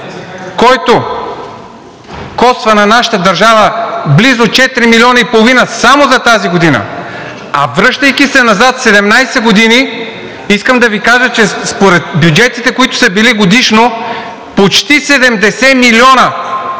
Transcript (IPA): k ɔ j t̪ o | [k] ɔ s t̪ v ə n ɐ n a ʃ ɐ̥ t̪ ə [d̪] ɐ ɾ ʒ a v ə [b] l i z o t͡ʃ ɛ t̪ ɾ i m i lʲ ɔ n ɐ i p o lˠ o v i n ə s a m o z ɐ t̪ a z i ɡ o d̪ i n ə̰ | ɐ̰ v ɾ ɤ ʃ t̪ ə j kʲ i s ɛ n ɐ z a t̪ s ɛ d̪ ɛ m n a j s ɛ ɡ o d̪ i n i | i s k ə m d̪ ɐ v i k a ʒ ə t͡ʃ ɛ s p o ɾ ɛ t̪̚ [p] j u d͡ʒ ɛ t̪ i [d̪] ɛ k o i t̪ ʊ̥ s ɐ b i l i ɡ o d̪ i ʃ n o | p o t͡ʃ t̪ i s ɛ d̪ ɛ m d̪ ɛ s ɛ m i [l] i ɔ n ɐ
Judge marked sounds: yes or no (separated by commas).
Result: yes, yes, yes, no, no, yes